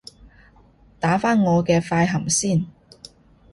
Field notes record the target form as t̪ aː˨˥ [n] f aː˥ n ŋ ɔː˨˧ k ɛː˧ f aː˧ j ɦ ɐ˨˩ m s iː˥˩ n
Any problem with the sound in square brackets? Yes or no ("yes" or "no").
yes